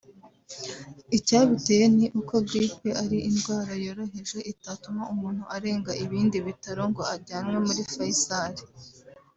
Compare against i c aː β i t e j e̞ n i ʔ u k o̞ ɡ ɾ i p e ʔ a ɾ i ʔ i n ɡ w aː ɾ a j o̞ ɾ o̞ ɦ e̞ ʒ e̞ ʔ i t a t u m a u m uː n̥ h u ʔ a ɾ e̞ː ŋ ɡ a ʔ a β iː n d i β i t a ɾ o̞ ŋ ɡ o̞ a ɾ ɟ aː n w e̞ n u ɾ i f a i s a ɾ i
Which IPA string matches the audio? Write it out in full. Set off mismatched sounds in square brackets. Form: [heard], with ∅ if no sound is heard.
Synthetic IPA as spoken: i c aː β i t e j e̞ n i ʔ u k o̞ ɡ ɾ i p e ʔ a ɾ i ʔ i n ɡ w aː ɾ a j o̞ ɾ o̞ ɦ e̞ ʒ e̞ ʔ i t a t u m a u m uː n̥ h u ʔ a ɾ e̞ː ŋ ɡ a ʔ [i] β iː n d i β i t a ɾ o̞ ŋ ɡ o̞ a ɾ ɟ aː n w e̞ [m] u ɾ i f a i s a ɾ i